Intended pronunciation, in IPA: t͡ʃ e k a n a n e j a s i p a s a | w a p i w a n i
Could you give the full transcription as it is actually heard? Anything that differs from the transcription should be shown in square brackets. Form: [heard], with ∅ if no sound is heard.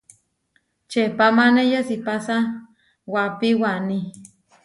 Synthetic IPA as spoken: t͡ʃ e [p] a [m] a n e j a s i p a s a | w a p i w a n i